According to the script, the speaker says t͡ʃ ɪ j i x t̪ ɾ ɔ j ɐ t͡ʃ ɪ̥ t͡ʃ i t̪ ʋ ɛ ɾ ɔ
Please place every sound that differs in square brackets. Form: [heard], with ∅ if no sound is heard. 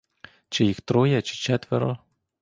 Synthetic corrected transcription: t͡ʃ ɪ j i x t̪ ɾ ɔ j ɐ t͡ʃ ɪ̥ t͡ʃ [ɛ] t̪ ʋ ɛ ɾ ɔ